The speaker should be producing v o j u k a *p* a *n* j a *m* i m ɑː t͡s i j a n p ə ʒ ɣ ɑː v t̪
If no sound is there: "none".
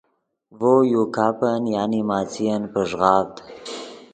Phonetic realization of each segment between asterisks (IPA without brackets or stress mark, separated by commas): p, n, n